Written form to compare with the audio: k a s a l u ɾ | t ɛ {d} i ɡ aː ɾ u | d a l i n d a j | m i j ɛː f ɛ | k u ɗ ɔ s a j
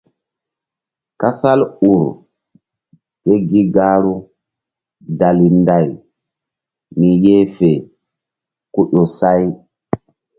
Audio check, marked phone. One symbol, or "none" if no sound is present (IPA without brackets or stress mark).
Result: ɡ